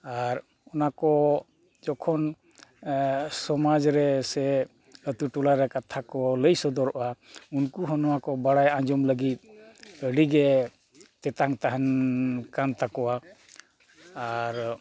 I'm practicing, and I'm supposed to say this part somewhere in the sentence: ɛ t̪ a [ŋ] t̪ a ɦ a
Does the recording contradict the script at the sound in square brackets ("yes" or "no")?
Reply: no